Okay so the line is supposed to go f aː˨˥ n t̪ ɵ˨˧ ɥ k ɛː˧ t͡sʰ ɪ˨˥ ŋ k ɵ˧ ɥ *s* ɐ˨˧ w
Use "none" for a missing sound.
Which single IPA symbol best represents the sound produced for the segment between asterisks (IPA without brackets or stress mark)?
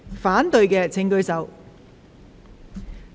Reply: s